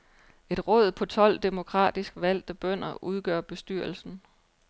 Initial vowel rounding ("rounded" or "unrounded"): unrounded